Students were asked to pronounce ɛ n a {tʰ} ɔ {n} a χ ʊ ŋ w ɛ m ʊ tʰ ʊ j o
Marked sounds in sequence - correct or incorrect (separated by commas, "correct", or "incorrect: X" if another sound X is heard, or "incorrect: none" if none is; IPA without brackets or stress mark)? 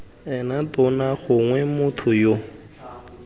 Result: incorrect: t, correct